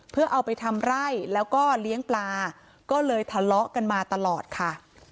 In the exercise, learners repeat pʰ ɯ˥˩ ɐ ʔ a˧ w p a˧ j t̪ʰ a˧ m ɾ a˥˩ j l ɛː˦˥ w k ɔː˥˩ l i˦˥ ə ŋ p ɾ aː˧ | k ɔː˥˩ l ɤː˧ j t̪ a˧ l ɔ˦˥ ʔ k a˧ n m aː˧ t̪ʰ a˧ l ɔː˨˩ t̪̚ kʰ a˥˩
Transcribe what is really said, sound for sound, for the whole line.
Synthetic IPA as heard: pʰ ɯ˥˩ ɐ ʔ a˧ w p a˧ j t̪ʰ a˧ m ɾ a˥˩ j l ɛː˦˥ w k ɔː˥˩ l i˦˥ ə ŋ p l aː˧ | k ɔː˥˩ l ɤː˧ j t̪ʰ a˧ l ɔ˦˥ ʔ k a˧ n m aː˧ t̪ a˧ l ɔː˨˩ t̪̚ kʰ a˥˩